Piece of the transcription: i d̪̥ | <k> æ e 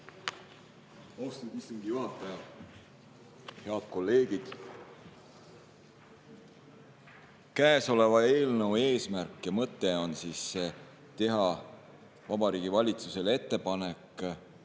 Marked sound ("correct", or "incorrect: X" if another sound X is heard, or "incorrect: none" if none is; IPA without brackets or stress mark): correct